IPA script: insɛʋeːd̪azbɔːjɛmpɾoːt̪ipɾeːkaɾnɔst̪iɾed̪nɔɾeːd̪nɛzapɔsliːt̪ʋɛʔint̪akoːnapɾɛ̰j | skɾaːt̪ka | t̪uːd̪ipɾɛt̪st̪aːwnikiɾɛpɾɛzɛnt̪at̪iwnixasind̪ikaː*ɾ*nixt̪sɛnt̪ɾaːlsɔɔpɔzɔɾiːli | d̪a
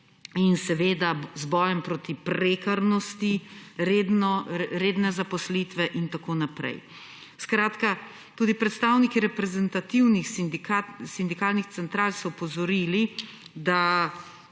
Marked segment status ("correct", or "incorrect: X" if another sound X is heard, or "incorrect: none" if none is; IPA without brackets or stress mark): incorrect: l